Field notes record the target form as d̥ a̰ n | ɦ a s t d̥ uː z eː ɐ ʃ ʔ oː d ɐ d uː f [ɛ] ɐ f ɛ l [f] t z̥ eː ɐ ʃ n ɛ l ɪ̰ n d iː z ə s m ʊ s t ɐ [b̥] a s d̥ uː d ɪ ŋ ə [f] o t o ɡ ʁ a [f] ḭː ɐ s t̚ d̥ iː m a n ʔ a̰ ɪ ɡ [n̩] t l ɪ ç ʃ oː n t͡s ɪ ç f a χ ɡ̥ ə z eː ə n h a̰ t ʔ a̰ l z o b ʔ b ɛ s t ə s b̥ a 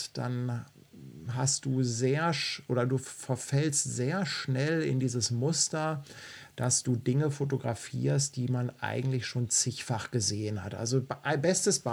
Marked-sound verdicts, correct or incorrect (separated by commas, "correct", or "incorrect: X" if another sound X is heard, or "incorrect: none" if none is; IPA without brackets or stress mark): correct, incorrect: s, incorrect: d̥, correct, correct, incorrect: ŋ̩